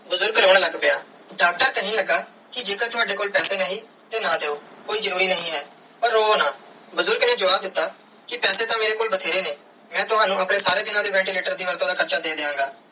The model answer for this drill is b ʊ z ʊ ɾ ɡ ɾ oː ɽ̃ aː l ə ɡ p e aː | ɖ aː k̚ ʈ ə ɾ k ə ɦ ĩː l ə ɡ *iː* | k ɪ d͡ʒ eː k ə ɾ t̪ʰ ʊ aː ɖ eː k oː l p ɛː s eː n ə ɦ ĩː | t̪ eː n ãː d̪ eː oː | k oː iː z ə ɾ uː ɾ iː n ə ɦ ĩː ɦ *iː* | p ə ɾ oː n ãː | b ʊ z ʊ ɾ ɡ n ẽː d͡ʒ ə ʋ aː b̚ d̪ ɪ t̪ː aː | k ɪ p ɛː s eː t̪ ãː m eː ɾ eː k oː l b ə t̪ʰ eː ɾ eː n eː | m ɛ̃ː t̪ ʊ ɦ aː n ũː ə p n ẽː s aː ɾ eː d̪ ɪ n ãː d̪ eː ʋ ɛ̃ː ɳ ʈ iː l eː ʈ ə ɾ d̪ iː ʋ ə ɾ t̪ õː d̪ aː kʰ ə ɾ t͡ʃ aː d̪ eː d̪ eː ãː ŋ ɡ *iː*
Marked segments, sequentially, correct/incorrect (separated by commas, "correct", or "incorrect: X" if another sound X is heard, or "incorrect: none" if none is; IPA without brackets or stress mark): incorrect: aː, incorrect: ɛː, incorrect: aː